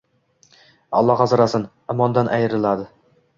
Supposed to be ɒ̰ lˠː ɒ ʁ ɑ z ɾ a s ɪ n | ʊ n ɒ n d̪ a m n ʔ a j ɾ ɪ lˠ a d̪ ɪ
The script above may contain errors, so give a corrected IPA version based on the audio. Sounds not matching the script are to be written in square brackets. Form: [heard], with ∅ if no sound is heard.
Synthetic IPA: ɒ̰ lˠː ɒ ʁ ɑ z ɾ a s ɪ n | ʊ [m] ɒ n d̪ a [∅] n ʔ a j ɾ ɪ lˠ a d̪ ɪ